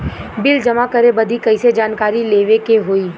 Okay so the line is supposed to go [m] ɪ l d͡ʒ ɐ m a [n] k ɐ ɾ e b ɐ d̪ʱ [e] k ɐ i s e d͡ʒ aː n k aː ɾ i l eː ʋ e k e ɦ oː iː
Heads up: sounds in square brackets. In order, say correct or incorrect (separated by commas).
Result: incorrect, incorrect, incorrect